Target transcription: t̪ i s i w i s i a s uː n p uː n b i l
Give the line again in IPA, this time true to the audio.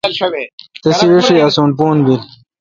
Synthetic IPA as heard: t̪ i s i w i ʂ i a s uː n p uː n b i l